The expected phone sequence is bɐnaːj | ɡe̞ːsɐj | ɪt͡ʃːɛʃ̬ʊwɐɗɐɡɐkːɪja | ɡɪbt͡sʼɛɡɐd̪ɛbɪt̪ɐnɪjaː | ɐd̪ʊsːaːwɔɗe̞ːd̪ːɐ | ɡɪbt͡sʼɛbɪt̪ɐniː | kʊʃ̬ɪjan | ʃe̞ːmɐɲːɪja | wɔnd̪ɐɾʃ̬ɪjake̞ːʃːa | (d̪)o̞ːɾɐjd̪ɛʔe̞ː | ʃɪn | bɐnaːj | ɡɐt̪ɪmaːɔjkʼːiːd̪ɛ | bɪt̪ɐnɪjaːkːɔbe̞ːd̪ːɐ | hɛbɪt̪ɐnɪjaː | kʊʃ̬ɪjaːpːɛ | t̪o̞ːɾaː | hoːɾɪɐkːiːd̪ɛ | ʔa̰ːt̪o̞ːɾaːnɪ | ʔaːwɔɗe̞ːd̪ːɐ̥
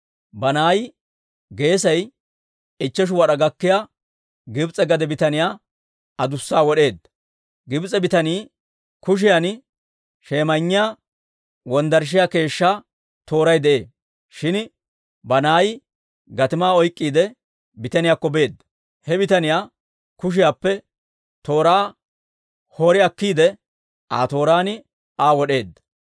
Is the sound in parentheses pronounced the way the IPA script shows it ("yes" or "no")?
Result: no